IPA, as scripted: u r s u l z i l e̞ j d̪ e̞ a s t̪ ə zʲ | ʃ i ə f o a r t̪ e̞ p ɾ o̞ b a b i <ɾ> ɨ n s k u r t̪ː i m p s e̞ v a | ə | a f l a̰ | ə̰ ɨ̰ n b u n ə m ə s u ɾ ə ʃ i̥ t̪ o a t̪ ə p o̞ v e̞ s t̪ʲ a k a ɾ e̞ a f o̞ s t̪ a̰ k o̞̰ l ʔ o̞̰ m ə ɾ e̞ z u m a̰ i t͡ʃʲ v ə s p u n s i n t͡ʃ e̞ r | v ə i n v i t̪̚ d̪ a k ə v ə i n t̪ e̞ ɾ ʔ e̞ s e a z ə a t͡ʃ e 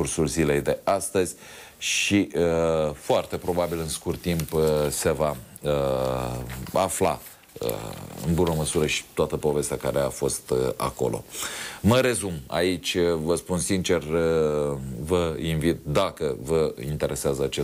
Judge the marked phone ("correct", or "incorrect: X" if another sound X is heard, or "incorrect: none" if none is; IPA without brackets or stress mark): incorrect: l